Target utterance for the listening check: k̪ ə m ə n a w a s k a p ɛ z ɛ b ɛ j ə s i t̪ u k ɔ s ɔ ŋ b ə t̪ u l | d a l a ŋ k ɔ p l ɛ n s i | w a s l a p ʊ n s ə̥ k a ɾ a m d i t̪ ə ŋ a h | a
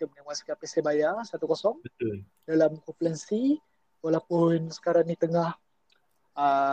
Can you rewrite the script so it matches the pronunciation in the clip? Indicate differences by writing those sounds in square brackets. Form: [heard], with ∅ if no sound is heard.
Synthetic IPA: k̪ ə m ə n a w a s k a p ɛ [s] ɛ b [a] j [a] s [a] t̪ u k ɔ s ɔ ŋ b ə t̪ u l | d a l a [m] k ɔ p l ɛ n s i | w a [∅] l a p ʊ n s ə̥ k a ɾ a [ŋ] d i t̪ ə ŋ a h | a